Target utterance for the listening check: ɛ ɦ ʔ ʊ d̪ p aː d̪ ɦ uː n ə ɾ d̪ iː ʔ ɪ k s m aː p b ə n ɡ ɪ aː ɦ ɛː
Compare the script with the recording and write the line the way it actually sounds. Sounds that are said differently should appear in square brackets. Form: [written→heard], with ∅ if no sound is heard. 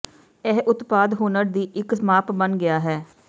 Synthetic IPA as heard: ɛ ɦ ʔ ʊ [d̪→t̪] p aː d̪ ɦ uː n ə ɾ d̪ iː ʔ ɪ k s m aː p b ə n ɡ ɪ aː ɦ ɛː